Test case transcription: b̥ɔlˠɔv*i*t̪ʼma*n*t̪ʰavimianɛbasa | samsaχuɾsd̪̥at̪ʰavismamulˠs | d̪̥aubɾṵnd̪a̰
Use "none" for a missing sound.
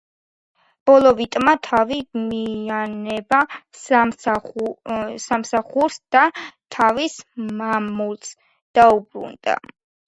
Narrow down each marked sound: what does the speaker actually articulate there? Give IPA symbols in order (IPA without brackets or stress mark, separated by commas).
i, none